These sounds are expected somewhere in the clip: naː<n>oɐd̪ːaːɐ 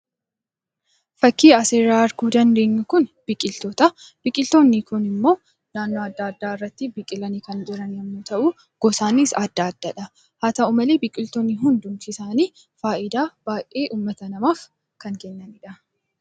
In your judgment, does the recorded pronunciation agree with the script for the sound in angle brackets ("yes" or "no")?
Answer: no